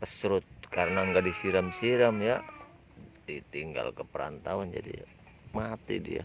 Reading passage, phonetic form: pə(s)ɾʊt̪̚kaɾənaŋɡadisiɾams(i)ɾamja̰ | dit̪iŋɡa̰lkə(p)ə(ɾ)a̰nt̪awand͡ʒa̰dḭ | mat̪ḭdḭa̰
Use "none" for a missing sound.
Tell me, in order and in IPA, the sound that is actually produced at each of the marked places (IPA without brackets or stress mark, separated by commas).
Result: s, i, p, ɾ